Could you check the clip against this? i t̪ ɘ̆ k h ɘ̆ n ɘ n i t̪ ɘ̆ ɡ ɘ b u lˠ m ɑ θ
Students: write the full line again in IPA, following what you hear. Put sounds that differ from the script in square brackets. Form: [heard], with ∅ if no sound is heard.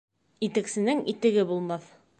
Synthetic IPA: i t̪ ɘ̆ k [s] ɘ̆ n ɘ [ŋ] i t̪ ɘ̆ ɡ ɘ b u lˠ m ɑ θ